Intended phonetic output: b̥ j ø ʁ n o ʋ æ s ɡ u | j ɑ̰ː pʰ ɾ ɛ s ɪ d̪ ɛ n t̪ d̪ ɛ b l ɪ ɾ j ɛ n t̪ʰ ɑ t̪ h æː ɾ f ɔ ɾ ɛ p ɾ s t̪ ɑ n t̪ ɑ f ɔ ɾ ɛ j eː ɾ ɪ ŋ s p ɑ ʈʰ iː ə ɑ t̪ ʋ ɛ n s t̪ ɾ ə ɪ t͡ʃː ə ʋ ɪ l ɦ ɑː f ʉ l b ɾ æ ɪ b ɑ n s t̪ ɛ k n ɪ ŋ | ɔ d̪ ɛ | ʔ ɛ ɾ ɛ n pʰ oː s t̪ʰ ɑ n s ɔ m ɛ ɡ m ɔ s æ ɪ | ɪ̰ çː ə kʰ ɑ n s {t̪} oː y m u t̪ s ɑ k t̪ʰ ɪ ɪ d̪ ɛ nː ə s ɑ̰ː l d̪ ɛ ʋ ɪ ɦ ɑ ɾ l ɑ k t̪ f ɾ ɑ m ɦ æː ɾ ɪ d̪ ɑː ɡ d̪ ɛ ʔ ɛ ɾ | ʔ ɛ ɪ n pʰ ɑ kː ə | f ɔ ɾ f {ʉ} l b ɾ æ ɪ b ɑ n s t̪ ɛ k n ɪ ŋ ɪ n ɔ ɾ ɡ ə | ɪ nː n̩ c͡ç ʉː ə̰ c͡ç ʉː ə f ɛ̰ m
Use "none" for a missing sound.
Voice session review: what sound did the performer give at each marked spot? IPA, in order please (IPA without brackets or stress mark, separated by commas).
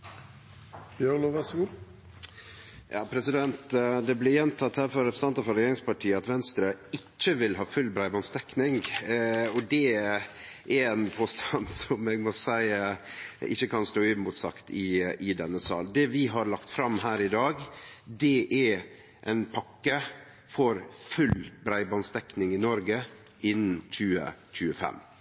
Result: t̪, ʉ